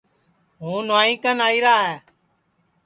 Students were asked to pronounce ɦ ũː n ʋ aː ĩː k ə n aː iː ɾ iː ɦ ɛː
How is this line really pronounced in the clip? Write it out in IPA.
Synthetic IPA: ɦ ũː n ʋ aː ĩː k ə n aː iː ɾ aː ɦ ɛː